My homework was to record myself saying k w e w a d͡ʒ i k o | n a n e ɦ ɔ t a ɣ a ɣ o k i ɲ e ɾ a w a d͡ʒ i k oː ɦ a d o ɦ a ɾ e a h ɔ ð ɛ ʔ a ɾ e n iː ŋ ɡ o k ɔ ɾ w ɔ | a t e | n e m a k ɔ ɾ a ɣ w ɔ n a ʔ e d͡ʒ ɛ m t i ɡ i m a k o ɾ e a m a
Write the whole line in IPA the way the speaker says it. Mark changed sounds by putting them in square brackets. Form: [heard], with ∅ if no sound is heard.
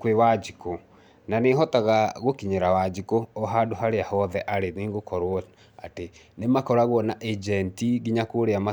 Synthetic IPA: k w e w a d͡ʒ i k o | n a n e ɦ ɔ t a ɣ a ɣ o k i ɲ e ɾ a w a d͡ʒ i k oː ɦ a d o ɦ a ɾ e a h ɔ ð ɛ ʔ a ɾ e n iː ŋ ɡ o k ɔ ɾ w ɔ | a t e | n e m a k ɔ ɾ a ɣ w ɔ n a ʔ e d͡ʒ ɛ [n] t i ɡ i [ɲ] a k o ɾ e a m a